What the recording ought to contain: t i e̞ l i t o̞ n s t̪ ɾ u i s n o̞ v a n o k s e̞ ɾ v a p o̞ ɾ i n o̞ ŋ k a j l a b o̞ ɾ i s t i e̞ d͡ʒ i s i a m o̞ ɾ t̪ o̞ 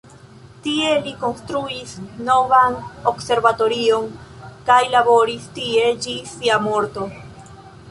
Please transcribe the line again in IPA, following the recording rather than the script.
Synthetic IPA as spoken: t i e̞ l i k o̞ n s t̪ ɾ u i s n o̞ v a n o k s e̞ ɾ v a t o̞ ɾ i o̞ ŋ k a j l a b o̞ ɾ i s t i e̞ d͡ʒ i s i a m o̞ ɾ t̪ o̞